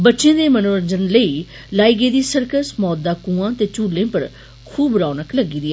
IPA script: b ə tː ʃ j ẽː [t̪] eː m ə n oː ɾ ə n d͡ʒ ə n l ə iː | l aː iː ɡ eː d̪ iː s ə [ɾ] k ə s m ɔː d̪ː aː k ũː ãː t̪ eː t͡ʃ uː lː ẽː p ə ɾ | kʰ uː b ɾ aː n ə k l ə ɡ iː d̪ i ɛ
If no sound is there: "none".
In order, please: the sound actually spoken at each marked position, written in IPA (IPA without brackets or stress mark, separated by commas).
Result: d̪, ɾ